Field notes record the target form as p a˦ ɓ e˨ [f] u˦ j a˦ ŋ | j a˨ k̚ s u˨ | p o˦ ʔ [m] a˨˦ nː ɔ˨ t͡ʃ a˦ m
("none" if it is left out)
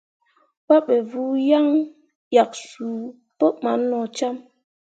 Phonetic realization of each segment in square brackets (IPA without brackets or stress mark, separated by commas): v, m